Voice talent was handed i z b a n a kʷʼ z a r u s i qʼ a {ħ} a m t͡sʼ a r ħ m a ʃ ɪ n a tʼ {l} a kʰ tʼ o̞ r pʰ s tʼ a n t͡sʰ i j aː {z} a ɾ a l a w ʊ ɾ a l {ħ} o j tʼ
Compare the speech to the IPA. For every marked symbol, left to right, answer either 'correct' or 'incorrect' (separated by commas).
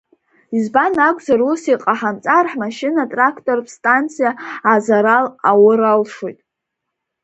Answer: correct, incorrect, correct, incorrect